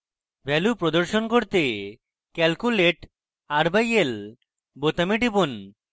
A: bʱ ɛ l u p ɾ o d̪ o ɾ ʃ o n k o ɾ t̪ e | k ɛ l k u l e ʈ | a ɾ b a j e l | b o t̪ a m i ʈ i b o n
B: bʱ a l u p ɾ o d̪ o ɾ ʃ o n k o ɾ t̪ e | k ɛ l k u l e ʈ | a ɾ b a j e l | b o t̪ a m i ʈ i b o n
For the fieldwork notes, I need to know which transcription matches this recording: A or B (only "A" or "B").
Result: A